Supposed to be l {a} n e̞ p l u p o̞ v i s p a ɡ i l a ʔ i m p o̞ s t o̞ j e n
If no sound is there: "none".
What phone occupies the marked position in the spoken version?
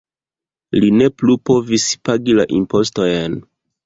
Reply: i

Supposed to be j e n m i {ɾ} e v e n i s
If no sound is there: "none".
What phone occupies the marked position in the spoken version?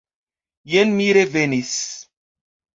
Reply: ɾ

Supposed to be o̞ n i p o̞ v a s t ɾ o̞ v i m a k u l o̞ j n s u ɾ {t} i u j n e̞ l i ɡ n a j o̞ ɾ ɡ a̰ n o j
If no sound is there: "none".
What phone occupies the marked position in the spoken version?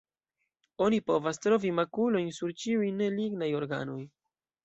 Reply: t͡ʃ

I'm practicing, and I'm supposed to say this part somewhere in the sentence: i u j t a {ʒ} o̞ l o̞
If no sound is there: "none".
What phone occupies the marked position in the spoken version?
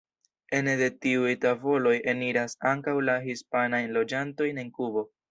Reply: v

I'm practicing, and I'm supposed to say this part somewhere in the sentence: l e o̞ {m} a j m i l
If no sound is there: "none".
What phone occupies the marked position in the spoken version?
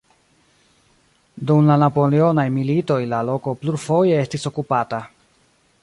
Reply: n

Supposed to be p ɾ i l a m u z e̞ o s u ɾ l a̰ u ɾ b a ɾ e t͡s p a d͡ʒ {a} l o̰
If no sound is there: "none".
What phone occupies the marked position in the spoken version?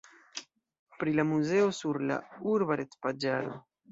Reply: a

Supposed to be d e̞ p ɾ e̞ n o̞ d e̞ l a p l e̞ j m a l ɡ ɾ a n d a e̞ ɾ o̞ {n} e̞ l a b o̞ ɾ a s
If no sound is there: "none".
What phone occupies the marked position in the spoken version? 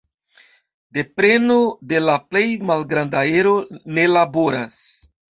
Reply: n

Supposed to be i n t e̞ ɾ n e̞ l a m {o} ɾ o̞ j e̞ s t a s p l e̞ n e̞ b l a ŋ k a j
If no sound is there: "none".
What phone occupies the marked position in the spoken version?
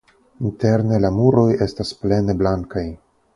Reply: u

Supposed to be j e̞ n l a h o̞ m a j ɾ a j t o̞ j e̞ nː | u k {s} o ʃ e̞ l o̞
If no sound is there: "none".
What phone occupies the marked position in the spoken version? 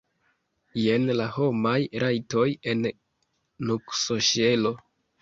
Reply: s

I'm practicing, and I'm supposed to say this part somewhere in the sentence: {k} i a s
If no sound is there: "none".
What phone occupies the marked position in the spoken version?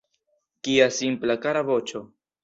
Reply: k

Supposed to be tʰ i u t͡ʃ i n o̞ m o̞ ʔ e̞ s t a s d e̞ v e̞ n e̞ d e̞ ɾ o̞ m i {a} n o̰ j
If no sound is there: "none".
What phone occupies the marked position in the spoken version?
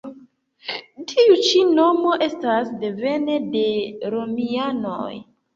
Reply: a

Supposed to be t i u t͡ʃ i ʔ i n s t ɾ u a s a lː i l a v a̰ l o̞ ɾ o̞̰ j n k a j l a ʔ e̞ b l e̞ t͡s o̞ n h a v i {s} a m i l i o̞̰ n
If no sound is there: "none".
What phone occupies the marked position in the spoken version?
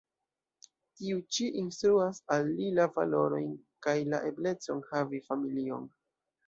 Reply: f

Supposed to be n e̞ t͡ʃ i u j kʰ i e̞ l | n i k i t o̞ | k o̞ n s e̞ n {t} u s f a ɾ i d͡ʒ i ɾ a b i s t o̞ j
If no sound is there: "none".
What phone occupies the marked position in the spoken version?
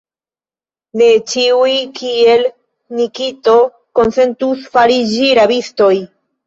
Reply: t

